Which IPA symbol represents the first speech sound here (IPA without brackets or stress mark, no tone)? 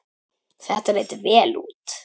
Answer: θ